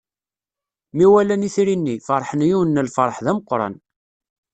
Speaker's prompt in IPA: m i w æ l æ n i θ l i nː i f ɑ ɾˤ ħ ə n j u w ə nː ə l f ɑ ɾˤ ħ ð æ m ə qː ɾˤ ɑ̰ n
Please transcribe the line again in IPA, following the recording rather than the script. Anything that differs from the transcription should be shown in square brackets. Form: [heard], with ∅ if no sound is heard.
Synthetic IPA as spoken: m i w æ l æ n i θ [ɾ] i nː i f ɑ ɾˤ ħ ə n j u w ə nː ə l f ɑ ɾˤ ħ ð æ m ə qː ɾˤ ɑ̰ n